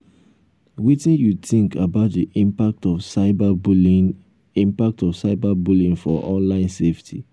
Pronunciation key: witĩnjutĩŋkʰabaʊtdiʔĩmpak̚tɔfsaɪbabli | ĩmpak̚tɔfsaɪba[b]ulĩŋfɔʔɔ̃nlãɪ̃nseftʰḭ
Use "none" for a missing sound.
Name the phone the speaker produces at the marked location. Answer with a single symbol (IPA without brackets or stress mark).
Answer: b